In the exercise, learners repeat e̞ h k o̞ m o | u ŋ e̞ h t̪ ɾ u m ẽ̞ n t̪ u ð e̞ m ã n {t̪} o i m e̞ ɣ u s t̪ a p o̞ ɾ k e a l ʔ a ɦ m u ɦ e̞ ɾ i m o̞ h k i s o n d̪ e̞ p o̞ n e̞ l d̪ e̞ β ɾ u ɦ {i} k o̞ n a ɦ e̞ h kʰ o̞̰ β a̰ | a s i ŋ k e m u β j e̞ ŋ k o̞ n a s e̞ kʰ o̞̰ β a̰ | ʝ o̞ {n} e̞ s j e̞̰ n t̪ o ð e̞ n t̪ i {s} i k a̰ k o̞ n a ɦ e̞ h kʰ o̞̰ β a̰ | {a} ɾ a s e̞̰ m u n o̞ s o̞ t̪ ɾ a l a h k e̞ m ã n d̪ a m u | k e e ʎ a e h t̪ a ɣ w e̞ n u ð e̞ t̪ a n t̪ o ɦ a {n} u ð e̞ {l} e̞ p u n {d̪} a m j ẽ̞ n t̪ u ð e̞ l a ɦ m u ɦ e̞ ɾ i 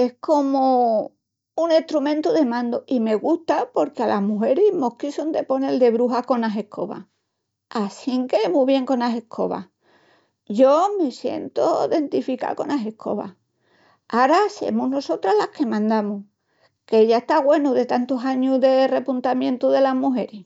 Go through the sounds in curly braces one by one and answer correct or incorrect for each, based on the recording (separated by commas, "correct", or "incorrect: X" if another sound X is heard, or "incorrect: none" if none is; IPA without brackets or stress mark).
incorrect: d̪, incorrect: a, incorrect: m, incorrect: f, correct, incorrect: ɲ, incorrect: r, incorrect: t̪